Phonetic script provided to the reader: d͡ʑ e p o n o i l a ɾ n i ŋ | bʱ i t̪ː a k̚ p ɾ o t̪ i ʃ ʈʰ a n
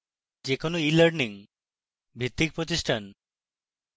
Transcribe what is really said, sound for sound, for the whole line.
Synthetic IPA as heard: d͡ʑ e k o n o i l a ɾ n i ŋ | bʱ i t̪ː i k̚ p ɾ o t̪ i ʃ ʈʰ a n